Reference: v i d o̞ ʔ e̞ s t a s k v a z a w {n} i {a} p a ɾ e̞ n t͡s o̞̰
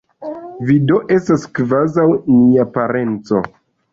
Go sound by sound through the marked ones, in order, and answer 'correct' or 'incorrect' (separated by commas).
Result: correct, correct